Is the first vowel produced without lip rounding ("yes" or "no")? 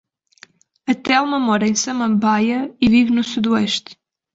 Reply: yes